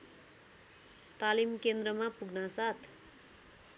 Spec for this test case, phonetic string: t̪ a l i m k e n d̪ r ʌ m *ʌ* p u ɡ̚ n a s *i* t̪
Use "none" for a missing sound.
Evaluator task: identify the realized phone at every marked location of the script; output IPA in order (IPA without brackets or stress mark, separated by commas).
a, a